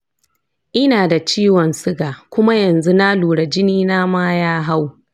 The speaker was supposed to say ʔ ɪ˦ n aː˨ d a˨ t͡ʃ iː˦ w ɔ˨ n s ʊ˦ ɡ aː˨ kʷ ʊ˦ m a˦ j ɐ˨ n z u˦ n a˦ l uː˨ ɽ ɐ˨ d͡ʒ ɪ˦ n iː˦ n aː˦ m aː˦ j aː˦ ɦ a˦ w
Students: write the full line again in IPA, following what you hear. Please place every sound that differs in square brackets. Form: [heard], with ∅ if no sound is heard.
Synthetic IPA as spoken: ʔ ɪ˦ n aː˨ d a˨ t͡ʃ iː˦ w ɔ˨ n s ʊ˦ ɡ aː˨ kʷ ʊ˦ m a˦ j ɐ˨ n z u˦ n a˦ l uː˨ ɽ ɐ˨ d͡ʒ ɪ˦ n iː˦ n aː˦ m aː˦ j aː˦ ɦ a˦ w